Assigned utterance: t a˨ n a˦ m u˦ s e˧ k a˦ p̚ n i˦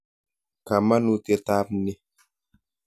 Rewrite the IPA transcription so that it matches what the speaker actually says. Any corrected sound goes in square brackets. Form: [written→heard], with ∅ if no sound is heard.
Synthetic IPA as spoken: [t→k] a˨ [n→m] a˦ [m→n] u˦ [s→t] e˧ [k→t] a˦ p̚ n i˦